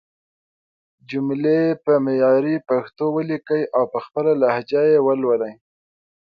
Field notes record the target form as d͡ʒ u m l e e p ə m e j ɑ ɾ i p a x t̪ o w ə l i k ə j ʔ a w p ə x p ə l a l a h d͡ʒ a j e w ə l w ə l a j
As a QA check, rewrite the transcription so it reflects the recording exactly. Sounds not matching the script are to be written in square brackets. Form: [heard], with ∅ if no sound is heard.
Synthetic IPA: d͡ʒ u m l e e p ə m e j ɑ ɾ i p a x t̪ o w ə l i k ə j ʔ a w p ə x p ə l a l a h d͡ʒ a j e w ə l w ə l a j